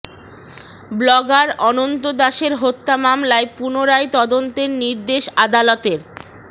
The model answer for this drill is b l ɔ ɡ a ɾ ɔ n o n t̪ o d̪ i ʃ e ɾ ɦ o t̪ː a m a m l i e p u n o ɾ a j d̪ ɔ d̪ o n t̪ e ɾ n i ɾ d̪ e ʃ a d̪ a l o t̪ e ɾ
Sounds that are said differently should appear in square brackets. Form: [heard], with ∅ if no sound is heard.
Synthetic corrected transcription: b l ɔ ɡ a ɾ ɔ n o n t̪ o d̪ [a] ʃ e ɾ ɦ o t̪ː a m a m l [a] e p u n o ɾ a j [t̪] ɔ d̪ o n t̪ e ɾ n i ɾ d̪ e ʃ a d̪ a l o t̪ e ɾ